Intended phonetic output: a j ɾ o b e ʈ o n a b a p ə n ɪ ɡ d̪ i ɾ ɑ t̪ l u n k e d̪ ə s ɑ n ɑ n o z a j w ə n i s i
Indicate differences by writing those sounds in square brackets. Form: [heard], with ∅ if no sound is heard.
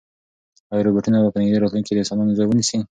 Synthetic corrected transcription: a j ɾ o b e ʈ [u] n a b a p ə n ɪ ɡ d̪ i ɾ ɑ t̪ l u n k e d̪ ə s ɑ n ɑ n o z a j w ə n i s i